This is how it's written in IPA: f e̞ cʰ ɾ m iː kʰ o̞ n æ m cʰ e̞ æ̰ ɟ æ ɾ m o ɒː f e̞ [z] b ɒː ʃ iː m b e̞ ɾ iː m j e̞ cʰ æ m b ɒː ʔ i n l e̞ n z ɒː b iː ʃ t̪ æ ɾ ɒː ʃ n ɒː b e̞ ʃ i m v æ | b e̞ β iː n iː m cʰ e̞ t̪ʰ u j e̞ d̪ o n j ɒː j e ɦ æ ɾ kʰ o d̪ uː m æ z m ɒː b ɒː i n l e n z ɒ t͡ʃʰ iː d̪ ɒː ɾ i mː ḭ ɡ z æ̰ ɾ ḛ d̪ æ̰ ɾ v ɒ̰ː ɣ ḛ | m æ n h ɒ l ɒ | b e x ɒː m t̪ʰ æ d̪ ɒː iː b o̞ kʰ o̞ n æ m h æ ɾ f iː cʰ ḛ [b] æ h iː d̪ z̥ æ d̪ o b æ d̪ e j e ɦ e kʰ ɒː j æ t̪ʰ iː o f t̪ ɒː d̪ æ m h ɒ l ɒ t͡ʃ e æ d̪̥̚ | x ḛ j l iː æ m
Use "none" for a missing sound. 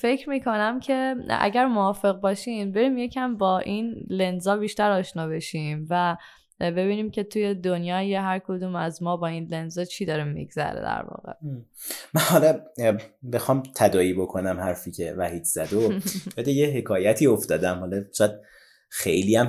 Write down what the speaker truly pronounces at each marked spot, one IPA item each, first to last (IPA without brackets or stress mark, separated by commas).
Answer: ɣ, v